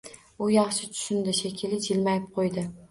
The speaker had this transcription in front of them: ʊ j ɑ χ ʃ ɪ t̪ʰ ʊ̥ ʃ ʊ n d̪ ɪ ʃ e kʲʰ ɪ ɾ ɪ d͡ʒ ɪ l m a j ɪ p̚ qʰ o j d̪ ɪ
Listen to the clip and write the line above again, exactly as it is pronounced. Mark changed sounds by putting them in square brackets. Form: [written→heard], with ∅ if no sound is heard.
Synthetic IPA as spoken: ʊ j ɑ χ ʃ ɪ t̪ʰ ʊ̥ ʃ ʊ n d̪ ɪ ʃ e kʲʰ ɪ [ɾ→l] ɪ d͡ʒ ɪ l m a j ɪ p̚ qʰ o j d̪ ɪ